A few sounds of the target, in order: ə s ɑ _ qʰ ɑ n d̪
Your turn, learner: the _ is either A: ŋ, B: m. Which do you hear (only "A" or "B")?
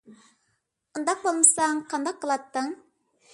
A